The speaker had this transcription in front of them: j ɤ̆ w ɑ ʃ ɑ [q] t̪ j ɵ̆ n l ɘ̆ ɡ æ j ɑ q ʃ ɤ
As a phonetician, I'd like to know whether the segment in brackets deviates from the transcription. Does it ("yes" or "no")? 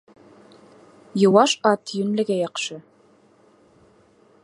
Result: yes